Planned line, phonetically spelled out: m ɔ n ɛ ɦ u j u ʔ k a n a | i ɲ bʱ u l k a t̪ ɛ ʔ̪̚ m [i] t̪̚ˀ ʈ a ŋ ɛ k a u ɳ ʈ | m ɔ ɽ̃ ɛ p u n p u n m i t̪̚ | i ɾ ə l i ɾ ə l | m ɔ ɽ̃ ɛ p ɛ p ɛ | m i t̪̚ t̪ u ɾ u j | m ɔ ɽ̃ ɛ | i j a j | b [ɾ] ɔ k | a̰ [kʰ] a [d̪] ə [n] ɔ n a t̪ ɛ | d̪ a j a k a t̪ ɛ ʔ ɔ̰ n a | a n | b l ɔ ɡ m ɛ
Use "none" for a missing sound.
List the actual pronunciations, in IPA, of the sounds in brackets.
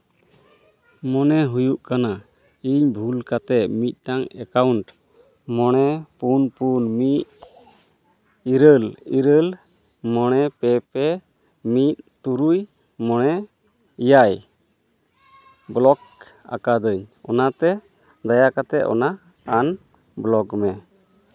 i, l, k, d̪, ɲ

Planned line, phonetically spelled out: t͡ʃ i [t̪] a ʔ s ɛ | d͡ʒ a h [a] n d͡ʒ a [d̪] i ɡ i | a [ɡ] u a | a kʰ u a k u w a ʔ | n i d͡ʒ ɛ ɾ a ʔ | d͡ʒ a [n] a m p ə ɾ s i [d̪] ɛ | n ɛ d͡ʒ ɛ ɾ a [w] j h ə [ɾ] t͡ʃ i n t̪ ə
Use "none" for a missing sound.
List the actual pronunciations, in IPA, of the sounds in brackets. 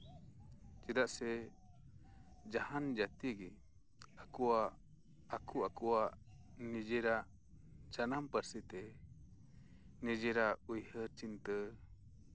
d̪, a, t̪, k, n, t̪, u, ɾ

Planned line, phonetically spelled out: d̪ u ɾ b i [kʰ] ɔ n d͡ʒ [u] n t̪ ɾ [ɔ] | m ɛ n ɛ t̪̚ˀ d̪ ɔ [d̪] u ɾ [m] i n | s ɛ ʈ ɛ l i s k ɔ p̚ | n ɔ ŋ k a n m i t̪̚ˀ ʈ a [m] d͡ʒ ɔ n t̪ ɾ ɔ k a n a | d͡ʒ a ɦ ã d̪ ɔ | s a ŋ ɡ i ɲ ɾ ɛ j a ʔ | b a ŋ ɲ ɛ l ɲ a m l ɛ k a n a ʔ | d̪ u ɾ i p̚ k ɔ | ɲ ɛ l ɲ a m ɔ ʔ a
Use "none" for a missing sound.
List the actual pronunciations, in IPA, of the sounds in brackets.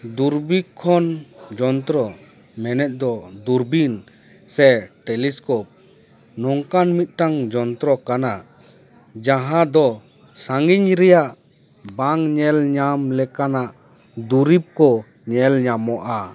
kʰ, ɔ, ɔ, d̪, b, ŋ

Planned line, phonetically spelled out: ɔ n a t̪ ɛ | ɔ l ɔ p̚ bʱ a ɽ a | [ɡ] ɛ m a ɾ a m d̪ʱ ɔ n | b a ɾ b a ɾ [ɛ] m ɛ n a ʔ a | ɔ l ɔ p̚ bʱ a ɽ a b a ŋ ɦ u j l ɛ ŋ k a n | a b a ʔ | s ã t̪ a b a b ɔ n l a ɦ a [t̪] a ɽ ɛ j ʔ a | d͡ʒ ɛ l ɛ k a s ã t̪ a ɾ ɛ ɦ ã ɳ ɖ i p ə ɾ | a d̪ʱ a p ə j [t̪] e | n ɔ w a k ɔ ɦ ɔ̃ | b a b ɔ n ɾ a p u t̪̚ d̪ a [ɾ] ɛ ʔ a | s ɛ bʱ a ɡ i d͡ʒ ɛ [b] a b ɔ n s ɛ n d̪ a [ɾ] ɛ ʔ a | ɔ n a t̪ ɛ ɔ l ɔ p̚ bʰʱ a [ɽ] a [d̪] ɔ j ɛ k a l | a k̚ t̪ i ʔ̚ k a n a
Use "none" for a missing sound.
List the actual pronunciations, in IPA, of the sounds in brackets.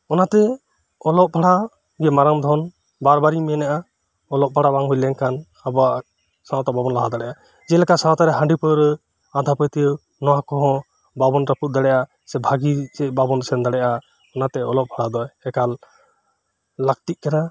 ɡ, i, d̪, t̪, ɽ, b, ɽ, ɽ, d̪

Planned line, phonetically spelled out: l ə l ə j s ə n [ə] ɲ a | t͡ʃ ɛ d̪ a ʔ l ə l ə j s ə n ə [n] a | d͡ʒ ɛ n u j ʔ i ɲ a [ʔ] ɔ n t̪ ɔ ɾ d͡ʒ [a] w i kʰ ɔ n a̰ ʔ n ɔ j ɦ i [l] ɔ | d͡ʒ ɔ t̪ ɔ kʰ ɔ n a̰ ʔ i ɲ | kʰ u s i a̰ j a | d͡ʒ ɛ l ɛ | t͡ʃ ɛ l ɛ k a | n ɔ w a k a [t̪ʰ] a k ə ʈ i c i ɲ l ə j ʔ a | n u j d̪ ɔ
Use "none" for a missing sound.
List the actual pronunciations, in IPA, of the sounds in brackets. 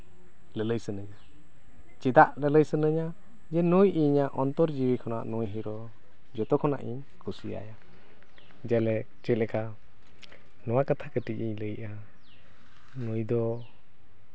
ə, ɲ, ʔ, i, ɾ, t̪ʰ

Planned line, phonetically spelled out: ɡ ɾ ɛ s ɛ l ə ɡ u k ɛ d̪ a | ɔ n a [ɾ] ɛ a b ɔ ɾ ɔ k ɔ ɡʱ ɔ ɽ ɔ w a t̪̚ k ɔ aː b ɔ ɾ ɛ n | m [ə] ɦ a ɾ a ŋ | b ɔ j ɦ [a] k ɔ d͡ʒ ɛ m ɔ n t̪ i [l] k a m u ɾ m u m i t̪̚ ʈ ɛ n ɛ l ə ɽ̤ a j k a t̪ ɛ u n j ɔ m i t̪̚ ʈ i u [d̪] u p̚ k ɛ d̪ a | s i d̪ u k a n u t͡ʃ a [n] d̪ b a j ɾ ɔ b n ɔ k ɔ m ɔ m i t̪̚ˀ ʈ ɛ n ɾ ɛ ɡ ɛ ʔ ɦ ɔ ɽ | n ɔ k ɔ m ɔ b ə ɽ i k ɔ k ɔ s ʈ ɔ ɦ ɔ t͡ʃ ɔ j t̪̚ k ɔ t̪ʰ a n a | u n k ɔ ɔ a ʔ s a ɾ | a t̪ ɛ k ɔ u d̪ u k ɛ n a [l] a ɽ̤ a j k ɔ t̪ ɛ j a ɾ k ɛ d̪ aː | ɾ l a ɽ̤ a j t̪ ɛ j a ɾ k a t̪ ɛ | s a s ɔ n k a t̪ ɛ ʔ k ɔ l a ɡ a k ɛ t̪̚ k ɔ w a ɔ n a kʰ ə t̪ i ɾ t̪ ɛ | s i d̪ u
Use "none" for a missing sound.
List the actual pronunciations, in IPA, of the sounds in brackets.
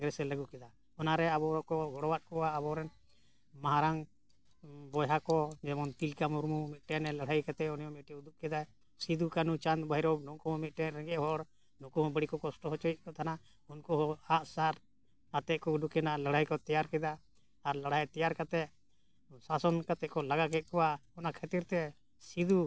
ɾ, a, a, l, d̪, n, l

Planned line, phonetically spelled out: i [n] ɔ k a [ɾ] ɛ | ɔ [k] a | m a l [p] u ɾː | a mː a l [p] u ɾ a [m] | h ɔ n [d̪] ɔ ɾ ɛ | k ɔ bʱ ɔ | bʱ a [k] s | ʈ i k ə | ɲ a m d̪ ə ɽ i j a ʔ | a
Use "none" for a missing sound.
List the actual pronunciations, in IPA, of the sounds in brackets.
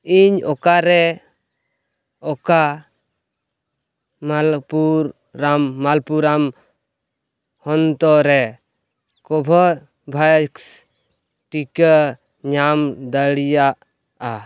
ɲ, ɾ, k, p, p, m, t̪, k

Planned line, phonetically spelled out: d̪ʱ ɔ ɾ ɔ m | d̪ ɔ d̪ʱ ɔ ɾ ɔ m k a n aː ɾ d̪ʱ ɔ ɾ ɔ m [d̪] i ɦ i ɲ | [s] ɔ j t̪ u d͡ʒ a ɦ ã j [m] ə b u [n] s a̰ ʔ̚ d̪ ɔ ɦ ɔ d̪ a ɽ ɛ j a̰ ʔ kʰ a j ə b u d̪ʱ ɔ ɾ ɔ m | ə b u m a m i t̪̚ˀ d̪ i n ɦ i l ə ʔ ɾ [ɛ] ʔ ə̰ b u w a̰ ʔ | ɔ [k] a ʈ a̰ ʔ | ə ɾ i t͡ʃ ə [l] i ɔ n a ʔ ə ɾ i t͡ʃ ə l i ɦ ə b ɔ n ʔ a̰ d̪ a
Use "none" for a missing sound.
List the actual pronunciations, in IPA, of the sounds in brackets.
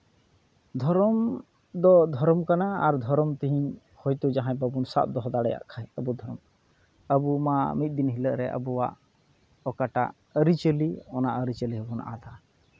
t̪, h, b, n, ɛ, k, l

